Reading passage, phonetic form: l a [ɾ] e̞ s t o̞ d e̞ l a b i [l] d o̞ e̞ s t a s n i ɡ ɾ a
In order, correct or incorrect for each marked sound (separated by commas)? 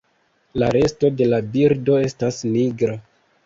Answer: correct, incorrect